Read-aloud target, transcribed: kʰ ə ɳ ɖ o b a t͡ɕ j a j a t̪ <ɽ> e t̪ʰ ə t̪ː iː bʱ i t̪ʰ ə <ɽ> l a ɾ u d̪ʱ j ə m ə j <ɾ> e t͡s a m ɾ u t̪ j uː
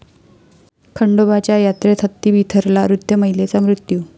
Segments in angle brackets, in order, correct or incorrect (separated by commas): incorrect, incorrect, incorrect